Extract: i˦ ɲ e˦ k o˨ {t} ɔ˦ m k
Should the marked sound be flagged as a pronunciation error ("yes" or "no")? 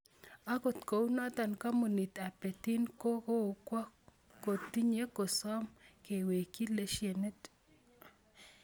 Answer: yes